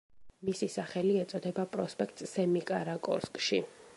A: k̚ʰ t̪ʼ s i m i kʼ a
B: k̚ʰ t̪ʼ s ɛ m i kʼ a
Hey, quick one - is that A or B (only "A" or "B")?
B